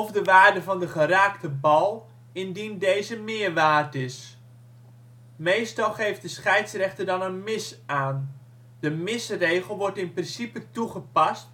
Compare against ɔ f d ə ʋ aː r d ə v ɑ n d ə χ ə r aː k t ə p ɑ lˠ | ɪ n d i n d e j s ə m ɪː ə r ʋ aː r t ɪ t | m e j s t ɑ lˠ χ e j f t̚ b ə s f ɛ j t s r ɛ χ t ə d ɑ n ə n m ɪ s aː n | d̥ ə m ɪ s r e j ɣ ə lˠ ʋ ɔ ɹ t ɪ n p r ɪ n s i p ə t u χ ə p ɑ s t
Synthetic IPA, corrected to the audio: ɔ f d ə ʋ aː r d ə v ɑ n d ə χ ə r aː k t ə b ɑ lˠ | ɪ n d i n d e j z ə m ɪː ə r ʋ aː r t ɪ s | m e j s t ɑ lˠ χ e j f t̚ d ə s χ ɛ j t s r ɛ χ t ə d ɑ n ə n m ɪ s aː n | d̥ ə m ɪ s r e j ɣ ə lˠ ʋ ɔ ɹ t ɪ n p r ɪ n s i p ə t u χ ə p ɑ s t